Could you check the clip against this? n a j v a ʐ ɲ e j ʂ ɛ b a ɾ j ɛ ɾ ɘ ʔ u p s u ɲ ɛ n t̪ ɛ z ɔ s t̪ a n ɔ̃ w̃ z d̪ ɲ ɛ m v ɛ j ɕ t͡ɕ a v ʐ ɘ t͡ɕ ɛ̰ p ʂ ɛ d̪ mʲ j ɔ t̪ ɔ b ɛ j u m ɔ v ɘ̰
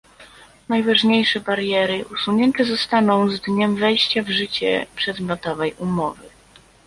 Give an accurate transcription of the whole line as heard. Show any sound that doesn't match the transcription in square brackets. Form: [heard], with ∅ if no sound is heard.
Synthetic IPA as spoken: n a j v a ʐ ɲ e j ʂ ɛ b a ɾ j ɛ ɾ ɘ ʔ u [∅] s u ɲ ɛ n t̪ ɛ z ɔ s t̪ a n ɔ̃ w̃ z d̪ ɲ ɛ m v ɛ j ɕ t͡ɕ a v ʐ ɘ t͡ɕ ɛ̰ p ʂ ɛ d̪ mʲ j ɔ t̪ ɔ [v] ɛ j u m ɔ v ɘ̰

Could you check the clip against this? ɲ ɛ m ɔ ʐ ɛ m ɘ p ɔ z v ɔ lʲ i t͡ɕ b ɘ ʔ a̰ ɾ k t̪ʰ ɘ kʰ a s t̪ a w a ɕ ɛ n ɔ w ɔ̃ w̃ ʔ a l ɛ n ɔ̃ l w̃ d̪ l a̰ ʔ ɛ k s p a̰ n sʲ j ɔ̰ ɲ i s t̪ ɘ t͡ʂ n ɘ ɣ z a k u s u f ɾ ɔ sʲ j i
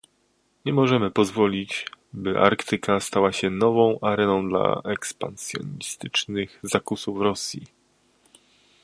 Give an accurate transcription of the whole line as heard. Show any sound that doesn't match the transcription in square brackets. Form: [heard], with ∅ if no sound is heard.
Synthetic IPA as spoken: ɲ ɛ m ɔ ʐ ɛ m ɘ p ɔ z v ɔ lʲ i t͡ɕ b ɘ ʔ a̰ ɾ k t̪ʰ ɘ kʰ a s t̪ a w a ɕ ɛ n ɔ [v] ɔ̃ w̃ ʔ a [ɾ] ɛ n ɔ̃ [∅] w̃ d̪ l a̰ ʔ ɛ k s p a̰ n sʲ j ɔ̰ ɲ i s t̪ ɘ t͡ʂ n ɘ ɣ z a k u s u f ɾ ɔ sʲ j i

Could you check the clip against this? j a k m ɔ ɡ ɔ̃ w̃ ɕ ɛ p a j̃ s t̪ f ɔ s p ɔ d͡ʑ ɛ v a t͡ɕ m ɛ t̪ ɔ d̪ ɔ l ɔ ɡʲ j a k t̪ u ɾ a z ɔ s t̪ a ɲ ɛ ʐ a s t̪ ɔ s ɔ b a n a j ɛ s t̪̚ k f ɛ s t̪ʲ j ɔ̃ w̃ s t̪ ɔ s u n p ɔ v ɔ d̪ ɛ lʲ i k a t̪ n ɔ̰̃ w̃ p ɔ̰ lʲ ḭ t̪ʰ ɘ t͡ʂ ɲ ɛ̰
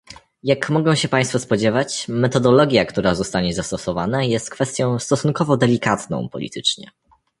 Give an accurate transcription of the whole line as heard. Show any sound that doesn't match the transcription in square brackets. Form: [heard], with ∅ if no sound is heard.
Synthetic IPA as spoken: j a k m ɔ ɡ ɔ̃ w̃ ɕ ɛ p a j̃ s t̪ f ɔ s p ɔ d͡ʑ ɛ v a t͡ɕ m ɛ t̪ ɔ d̪ ɔ l ɔ ɡʲ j a k t̪ u ɾ a z ɔ s t̪ a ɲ ɛ [z] a s t̪ ɔ s ɔ [v] a n a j ɛ s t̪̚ k f ɛ s t̪ʲ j ɔ̃ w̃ s t̪ ɔ s u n [k] ɔ v ɔ d̪ ɛ lʲ i k a t̪ n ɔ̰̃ w̃ p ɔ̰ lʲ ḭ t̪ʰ ɘ t͡ʂ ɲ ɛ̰

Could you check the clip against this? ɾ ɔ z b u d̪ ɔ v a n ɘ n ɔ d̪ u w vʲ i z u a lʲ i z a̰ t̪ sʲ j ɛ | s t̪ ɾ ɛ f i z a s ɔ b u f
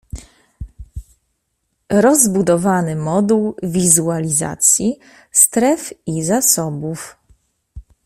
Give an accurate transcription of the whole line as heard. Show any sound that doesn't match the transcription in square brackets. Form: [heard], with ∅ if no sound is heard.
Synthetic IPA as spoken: ɾ ɔ z b u d̪ ɔ v a n ɘ [m] ɔ d̪ u w vʲ i z u a lʲ i z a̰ t̪ sʲ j [i] | s t̪ ɾ ɛ f i z a s ɔ b u f

